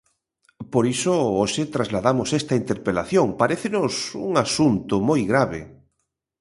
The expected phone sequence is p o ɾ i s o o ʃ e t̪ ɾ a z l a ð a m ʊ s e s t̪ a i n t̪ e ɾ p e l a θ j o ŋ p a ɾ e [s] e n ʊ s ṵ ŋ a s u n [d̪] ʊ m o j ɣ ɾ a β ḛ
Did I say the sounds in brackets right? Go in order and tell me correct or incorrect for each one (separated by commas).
incorrect, incorrect